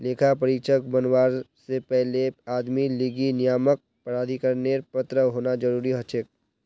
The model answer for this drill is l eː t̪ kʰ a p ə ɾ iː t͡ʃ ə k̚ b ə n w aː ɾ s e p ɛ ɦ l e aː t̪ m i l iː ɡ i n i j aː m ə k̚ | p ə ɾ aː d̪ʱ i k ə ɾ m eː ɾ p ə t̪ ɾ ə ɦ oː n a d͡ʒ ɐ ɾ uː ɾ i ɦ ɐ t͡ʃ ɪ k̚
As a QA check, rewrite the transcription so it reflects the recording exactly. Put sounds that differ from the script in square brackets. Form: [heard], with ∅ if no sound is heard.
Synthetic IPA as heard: l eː [∅] kʰ a p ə ɾ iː t͡ʃ ə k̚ b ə n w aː ɾ s e p ɛ ɦ l e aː [d̪] m i l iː ɡ i n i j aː m ə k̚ | p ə ɾ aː d̪ʱ i k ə ɾ [n] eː ɾ p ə t̪ ɾ ə ɦ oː n a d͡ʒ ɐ ɾ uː ɾ i ɦ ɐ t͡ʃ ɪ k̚